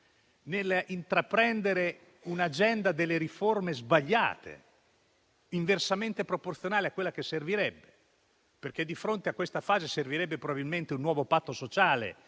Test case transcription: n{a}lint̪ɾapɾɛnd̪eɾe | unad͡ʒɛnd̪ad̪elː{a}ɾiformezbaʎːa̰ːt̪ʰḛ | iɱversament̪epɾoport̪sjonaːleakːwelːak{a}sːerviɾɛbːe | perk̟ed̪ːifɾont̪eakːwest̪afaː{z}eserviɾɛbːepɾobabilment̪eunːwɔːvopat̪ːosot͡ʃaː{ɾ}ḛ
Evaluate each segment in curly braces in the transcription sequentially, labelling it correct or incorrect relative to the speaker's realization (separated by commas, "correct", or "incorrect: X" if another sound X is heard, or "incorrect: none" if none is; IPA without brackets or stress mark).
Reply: incorrect: e, incorrect: e, incorrect: e, correct, incorrect: l